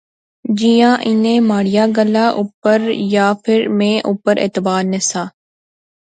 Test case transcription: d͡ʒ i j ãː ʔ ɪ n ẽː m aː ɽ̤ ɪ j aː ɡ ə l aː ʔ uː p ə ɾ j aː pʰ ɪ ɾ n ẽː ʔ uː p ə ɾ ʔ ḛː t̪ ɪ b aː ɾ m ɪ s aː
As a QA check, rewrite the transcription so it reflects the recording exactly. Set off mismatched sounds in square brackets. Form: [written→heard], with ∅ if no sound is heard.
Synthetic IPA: d͡ʒ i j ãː ʔ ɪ n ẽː m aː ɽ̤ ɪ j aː ɡ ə l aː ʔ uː p ə ɾ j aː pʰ ɪ ɾ [n→m] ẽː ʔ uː p ə ɾ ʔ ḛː t̪ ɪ b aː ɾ [m→n] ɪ s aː